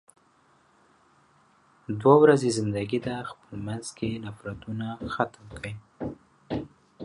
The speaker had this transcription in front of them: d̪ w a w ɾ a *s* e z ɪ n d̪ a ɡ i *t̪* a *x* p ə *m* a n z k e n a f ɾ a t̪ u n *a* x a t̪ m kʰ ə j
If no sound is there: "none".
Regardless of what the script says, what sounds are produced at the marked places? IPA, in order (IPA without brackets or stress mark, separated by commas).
z, d̪, x, m, a